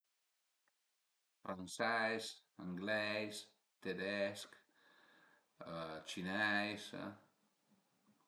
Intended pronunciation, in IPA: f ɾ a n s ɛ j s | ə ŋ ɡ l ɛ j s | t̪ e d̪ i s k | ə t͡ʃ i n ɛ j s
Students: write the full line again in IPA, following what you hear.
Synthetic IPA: f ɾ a n s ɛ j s | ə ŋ ɡ l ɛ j s | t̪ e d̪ ɛ s k | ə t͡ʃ i n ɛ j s